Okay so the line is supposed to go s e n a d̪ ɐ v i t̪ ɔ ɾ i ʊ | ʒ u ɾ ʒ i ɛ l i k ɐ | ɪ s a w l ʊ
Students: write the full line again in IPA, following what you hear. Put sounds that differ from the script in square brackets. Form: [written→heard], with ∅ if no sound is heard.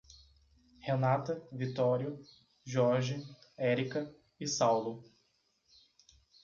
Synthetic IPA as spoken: [s→h] e n a [d̪→t̪] ɐ v i t̪ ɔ ɾ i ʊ | ʒ [u→ɔ] ɾ ʒ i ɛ [l→ɾ] i k ɐ | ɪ s a w l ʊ